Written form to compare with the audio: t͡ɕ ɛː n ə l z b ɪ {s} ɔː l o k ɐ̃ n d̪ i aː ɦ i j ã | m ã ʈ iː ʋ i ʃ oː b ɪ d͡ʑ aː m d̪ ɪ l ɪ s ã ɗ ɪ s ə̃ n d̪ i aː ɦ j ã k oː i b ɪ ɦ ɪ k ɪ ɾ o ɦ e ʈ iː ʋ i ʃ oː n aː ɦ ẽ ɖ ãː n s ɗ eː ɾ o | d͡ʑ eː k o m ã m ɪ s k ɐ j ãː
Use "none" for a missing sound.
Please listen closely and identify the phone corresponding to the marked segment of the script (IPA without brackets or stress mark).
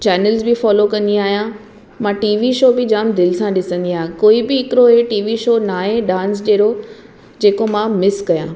f